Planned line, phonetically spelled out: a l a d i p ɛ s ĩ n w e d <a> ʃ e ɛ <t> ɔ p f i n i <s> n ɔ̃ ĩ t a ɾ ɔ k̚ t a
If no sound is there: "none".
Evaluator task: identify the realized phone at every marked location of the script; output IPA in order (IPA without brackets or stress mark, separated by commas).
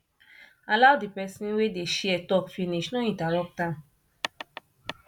e, t, ʃ